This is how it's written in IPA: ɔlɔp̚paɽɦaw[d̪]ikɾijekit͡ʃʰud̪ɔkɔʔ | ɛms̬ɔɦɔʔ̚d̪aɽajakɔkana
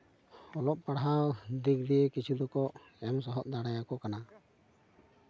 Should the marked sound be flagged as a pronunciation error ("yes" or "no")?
no